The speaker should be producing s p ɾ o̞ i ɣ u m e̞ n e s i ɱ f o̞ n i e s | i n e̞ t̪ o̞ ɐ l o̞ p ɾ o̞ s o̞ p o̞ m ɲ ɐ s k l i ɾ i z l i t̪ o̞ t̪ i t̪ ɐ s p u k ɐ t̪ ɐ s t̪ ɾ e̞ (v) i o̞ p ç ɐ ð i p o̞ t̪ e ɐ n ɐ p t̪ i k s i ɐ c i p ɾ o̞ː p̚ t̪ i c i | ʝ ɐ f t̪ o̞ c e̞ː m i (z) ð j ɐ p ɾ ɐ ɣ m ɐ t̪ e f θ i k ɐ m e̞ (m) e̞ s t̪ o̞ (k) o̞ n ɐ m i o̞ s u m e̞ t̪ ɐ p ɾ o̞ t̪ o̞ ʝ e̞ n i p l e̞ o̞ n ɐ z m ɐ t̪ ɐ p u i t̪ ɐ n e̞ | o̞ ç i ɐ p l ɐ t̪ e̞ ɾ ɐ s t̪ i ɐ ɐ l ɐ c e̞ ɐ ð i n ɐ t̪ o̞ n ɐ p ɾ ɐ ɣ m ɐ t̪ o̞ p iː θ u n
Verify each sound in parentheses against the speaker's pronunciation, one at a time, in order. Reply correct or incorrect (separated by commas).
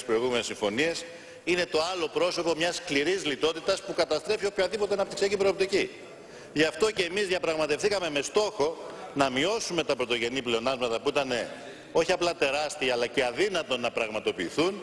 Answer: incorrect, correct, correct, incorrect